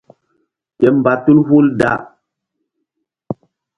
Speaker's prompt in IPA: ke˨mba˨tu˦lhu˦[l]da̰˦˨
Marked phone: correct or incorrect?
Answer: correct